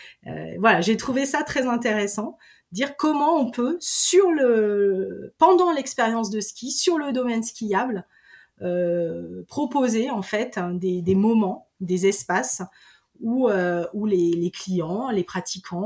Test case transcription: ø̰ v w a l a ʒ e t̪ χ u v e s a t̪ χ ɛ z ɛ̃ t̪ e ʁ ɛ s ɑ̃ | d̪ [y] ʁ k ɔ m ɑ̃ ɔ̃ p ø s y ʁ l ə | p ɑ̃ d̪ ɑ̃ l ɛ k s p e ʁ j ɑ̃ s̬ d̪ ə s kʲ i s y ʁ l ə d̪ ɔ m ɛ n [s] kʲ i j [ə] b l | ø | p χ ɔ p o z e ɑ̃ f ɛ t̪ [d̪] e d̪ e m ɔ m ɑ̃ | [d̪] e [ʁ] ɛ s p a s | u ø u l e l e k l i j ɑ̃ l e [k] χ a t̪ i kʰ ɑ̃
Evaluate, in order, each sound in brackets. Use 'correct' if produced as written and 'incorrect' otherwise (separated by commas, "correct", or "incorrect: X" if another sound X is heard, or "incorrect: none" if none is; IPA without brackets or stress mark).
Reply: incorrect: i, correct, incorrect: a, correct, correct, incorrect: z, incorrect: p